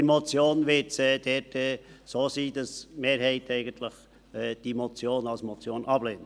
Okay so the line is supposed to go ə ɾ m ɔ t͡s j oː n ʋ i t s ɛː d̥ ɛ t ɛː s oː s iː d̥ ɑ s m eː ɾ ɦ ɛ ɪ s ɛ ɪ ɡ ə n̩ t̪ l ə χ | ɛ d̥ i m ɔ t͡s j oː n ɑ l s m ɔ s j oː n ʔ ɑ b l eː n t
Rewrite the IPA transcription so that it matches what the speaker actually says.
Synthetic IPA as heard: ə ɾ m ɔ t͡s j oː n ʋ ɪ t s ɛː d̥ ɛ t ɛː s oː s iː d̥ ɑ s m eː ɾ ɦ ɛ ɪ t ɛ ɪ ɡ ə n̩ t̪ l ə χ | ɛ d̥ i m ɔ t͡s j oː n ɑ l s m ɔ t͡s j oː n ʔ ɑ b l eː n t